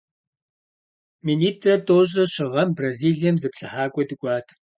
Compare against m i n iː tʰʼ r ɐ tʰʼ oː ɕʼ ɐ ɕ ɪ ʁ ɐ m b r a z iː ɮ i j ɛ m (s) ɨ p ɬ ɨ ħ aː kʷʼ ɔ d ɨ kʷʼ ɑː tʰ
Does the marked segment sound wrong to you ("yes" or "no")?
yes